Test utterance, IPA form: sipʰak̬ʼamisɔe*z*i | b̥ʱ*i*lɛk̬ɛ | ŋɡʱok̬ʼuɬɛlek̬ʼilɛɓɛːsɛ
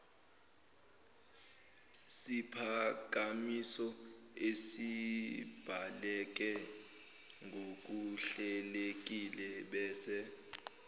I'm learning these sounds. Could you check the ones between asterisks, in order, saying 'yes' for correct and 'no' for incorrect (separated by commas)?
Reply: no, no